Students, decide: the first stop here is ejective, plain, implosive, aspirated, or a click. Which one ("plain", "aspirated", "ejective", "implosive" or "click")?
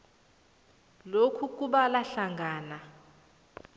aspirated